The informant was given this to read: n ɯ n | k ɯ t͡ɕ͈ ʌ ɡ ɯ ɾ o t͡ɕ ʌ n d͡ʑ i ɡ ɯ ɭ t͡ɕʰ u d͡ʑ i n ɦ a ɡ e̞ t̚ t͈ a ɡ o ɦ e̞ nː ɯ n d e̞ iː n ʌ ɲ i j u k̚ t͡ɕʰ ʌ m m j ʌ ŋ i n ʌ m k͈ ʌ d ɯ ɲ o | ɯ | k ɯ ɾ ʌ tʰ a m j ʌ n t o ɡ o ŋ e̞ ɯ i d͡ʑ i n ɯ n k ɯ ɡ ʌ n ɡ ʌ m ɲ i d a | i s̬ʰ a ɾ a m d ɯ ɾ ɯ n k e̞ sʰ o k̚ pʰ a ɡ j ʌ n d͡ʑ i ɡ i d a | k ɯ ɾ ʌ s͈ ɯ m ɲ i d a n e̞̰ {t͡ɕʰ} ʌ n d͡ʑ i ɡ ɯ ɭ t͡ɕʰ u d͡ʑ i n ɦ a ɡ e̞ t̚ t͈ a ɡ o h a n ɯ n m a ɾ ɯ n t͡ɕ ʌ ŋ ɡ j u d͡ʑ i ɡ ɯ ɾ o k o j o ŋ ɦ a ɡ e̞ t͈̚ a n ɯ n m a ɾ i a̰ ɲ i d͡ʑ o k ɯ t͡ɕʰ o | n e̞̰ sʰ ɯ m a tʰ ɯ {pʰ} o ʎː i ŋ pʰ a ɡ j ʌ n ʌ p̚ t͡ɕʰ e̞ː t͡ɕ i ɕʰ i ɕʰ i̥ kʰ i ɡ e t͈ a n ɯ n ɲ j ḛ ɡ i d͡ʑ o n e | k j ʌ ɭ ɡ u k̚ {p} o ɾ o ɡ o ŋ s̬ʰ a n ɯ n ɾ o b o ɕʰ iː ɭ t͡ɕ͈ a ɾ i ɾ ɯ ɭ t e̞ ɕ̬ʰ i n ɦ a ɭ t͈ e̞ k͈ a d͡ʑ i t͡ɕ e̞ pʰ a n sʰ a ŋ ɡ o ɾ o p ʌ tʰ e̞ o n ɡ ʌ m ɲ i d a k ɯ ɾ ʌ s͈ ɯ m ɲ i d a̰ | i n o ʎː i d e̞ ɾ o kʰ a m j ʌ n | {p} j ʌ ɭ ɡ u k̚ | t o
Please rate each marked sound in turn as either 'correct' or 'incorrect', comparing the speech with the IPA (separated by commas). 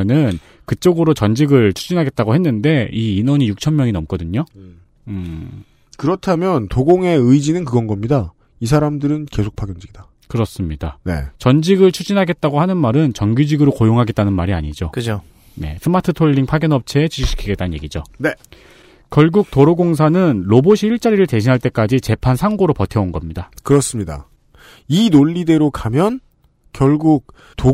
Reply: incorrect, incorrect, incorrect, incorrect